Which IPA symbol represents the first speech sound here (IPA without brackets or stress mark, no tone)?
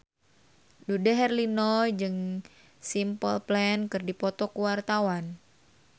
d